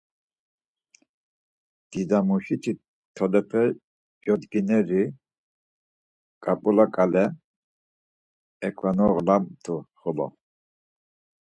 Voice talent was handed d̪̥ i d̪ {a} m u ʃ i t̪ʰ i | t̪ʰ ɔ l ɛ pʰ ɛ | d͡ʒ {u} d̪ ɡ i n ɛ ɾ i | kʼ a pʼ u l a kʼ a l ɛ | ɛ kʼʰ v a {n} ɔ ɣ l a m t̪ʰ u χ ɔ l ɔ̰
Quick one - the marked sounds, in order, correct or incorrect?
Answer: correct, incorrect: ɔ, correct

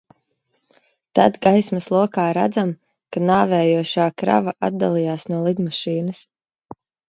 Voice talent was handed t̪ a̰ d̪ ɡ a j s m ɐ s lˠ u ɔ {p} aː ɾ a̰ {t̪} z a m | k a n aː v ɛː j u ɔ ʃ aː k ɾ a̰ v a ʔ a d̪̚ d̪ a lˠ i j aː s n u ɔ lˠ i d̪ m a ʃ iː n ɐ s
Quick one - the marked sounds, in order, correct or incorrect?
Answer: incorrect: k, incorrect: d̪

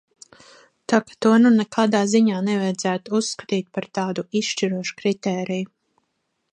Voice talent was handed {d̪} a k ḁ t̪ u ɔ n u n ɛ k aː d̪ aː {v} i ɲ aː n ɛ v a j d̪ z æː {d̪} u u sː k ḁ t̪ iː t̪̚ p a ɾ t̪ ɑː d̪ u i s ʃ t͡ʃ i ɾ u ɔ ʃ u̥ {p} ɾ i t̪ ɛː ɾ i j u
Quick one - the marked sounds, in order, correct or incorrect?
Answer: incorrect: t̪, incorrect: z, incorrect: t̪, incorrect: k

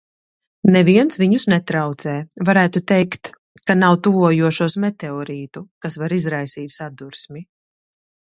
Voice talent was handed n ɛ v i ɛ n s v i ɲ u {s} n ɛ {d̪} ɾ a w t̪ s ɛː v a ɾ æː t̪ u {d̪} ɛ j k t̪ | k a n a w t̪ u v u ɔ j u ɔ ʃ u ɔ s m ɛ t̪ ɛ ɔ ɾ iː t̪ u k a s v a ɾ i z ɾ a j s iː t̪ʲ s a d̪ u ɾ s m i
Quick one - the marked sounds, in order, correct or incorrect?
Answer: correct, incorrect: t̪, incorrect: t̪

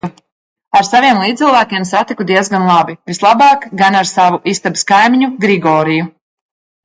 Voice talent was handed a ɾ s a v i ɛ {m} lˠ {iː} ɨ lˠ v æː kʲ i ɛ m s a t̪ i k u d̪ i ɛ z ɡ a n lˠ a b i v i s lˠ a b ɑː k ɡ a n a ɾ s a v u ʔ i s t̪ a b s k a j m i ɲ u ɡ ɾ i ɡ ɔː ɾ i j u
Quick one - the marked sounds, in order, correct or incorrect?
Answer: correct, correct

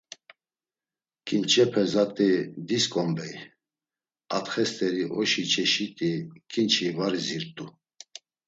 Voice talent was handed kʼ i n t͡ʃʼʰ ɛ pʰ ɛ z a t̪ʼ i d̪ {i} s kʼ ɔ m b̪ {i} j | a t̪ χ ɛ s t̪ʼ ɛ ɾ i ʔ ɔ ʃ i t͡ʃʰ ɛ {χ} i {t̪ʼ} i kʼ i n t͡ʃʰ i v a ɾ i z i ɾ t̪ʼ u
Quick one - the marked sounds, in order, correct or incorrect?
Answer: correct, incorrect: ɛ, incorrect: ʃ, correct

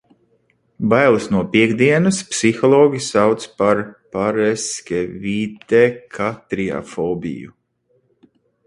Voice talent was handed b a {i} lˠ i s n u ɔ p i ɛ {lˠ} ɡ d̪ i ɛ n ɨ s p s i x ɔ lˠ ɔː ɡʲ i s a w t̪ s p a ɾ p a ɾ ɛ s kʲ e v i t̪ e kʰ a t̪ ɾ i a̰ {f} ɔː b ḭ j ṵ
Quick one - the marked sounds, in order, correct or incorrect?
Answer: incorrect: j, incorrect: none, correct

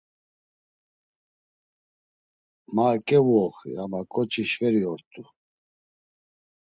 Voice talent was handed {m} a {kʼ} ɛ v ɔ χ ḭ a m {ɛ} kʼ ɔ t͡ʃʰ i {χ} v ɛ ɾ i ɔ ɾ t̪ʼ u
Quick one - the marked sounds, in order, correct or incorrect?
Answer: correct, correct, incorrect: a, incorrect: ʃ

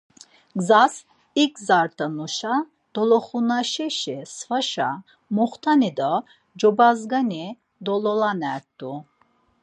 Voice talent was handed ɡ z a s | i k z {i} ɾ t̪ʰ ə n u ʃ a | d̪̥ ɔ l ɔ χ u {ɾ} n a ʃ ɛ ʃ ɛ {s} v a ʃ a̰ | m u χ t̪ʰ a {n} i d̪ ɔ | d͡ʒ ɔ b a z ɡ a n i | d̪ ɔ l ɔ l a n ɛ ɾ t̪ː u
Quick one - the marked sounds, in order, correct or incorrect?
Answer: incorrect: a, incorrect: none, correct, correct

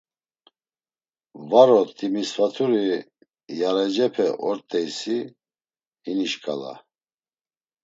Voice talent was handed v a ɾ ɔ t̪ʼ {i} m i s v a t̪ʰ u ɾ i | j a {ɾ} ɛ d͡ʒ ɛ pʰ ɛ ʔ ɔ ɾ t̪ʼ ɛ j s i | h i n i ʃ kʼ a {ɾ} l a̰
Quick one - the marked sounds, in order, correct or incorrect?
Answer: correct, correct, incorrect: none

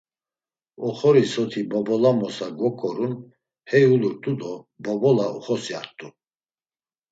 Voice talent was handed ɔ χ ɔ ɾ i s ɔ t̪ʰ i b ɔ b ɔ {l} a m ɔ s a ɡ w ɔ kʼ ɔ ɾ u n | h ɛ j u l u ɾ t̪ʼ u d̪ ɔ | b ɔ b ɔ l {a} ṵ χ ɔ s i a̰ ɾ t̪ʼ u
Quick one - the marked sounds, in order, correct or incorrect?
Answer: correct, correct

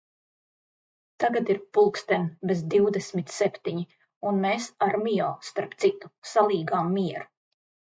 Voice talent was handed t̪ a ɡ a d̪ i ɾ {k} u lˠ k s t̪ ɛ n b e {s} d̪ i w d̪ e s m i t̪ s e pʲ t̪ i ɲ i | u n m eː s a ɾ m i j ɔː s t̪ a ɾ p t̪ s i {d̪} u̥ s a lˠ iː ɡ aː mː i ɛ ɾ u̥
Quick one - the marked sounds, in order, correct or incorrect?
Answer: incorrect: p, incorrect: z, incorrect: t̪

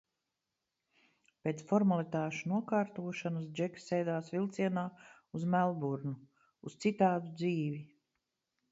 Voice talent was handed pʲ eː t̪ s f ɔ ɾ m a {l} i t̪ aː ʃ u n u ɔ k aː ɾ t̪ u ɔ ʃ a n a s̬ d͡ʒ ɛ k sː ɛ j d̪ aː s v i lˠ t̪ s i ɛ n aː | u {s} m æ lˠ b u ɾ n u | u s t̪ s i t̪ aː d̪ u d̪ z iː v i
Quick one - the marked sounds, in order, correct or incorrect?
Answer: correct, incorrect: z

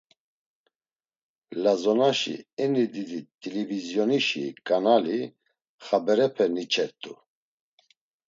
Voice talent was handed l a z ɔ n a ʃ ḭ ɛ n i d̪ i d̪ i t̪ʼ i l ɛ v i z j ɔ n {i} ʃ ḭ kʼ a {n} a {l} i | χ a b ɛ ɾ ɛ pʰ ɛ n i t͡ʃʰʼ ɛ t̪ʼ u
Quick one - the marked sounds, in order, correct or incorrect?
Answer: correct, correct, correct

